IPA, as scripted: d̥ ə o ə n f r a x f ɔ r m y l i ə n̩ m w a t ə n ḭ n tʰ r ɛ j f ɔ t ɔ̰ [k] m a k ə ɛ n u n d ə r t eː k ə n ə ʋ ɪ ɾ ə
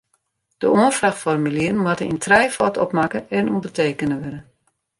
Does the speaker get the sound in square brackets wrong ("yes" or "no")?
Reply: yes